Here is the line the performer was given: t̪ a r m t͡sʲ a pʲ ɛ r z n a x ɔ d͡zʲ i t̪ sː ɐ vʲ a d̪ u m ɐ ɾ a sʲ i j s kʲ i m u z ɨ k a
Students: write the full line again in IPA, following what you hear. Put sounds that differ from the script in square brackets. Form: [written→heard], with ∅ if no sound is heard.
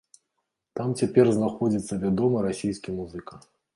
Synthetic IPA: t̪ a [r→∅] m t͡sʲ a pʲ ɛ r z n a x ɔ d͡zʲ i t̪ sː ɐ vʲ a d̪ [u→ɔ] m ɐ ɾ a sʲ i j s kʲ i m u z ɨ k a